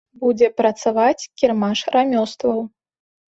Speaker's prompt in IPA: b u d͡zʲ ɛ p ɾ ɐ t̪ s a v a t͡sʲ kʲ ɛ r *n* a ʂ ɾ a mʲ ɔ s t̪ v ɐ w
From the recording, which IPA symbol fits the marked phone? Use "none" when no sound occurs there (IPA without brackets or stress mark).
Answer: m